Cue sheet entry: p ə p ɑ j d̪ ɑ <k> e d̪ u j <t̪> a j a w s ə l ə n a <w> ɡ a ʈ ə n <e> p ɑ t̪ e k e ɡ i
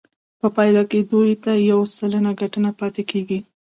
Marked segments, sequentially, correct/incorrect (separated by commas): correct, correct, incorrect, incorrect